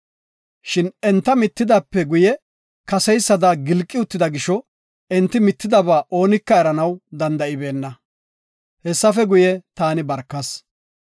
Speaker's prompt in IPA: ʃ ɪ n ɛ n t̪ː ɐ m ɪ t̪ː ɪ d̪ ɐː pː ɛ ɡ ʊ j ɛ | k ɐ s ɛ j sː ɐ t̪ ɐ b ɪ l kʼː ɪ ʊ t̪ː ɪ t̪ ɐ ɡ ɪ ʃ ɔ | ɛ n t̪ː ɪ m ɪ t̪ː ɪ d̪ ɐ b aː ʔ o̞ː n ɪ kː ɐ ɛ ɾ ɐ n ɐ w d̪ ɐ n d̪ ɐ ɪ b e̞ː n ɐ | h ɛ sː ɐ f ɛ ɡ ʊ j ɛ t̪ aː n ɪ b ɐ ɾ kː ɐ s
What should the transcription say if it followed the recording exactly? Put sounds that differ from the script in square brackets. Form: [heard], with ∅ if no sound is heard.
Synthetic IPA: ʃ ɪ n ɛ n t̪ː ɐ m ɪ t̪ː ɪ d̪ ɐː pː ɛ ɡ ʊ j ɛ | k ɐ s ɛ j sː ɐ [d̪] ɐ [ɡ] ɪ l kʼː ɪ ʊ t̪ː ɪ [d̪] ɐ ɡ ɪ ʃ ɔ | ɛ n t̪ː ɪ m ɪ t̪ː ɪ d̪ ɐ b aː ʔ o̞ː n ɪ kː ɐ ɛ ɾ ɐ n ɐ w d̪ ɐ n d̪ ɐ ɪ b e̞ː [nː] ɐ | h ɛ sː ɐ f ɛ ɡ ʊ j ɛ t̪ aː n ɪ b ɐ ɾ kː ɐ s

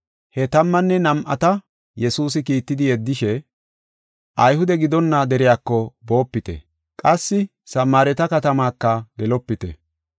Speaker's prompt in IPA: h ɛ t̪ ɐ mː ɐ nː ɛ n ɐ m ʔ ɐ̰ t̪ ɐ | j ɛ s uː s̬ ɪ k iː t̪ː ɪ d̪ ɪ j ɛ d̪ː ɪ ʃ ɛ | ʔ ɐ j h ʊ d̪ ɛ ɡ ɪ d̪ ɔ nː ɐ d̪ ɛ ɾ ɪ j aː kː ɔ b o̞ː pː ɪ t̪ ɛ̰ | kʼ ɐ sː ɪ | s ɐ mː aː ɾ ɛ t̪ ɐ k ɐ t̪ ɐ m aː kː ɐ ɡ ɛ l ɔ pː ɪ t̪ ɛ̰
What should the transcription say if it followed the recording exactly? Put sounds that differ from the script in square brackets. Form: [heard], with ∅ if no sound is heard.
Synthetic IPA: h ɛ t̪ ɐ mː ɐ nː ɛ n ɐ m ʔ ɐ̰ t̪ ɐ | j ɛ s uː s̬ ɪ k iː t̪ː ɪ d̪ ɪ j ɛ d̪ː ɪ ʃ ɛ | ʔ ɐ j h ʊ d̪ ɛ ɡ ɪ d̪ ɔ nː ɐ d̪ ɛ ɾ ɪ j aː kː ɔ b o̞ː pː ɪ t̪ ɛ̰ | kʼ ɐ sː ɪ | s ɐ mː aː ɾ ɛ t̪ ɐ k ɐ t̪ ɐ m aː kː ɐ ɡ ɛ l ɔ pː ɪ t̪ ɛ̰

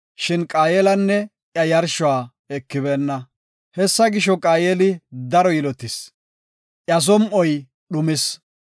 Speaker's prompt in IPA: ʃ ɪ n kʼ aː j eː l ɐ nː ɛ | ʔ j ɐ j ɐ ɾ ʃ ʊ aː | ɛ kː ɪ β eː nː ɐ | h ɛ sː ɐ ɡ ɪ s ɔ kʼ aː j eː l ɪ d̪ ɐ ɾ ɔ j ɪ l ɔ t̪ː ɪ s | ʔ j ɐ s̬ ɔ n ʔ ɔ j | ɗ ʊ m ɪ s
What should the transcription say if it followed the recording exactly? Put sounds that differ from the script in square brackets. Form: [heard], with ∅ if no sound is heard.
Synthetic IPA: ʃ ɪ n kʼ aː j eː l ɐ nː ɛ | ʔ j ɐ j ɐ ɾ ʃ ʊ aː | ɛ kː ɪ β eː nː ɐ | h ɛ sː ɐ ɡ ɪ [ʃ] ɔ kʼ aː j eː l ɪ d̪ ɐ ɾ ɔ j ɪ l ɔ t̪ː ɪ s | ʔ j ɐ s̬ ɔ [m] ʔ ɔ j | ɗ ʊ m ɪ s

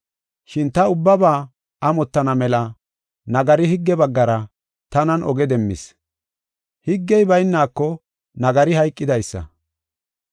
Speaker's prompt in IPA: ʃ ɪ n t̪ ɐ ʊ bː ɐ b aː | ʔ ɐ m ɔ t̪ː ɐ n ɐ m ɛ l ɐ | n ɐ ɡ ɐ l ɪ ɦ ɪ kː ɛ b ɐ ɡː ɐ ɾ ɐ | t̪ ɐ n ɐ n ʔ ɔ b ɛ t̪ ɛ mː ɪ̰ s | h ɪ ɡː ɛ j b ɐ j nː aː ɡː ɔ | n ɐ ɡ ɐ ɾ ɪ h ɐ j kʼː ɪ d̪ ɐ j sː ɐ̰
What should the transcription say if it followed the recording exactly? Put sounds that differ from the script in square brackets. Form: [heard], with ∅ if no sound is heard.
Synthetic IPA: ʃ ɪ n t̪ ɐ ʊ bː ɐ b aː | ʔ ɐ m ɔ t̪ː ɐ n ɐ m ɛ l ɐ | n ɐ ɡ ɐ [ɾ] ɪ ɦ ɪ [ɡː] ɛ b ɐ ɡː ɐ ɾ ɐ | t̪ ɐ n ɐ n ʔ ɔ [ɡ] ɛ [d̪] ɛ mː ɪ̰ s | h ɪ ɡː ɛ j b ɐ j nː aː [kː] ɔ | n ɐ ɡ ɐ ɾ ɪ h ɐ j kʼː ɪ d̪ ɐ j sː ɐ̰

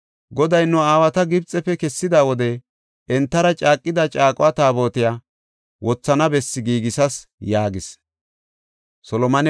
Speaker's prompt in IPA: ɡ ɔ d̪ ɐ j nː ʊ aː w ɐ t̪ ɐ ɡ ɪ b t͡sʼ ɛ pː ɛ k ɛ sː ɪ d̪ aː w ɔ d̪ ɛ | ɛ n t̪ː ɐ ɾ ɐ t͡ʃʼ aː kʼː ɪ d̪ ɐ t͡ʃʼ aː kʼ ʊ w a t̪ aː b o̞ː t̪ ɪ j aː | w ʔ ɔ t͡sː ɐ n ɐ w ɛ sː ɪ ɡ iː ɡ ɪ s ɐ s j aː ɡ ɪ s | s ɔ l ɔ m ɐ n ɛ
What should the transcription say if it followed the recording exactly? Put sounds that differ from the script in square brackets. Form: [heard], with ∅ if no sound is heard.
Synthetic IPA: ɡ ɔ d̪ ɐ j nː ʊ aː w ɐ t̪ ɐ ɡ ɪ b t͡sʼ ɛ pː ɛ k ɛ sː ɪ d̪ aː w ɔ d̪ ɛ | ɛ n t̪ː ɐ ɾ ɐ t͡ʃʼ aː kʼː ɪ d̪ ɐ t͡ʃʼ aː kʼ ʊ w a t̪ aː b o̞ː t̪ ɪ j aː | w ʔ ɔ t͡sː ɐ n ɐ [b] ɛ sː ɪ ɡ iː ɡ ɪ s ɐ s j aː ɡ ɪ s | s ɔ l ɔ m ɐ n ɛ

